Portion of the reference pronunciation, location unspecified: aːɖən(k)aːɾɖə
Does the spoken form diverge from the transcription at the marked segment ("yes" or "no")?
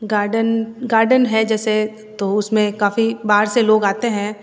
yes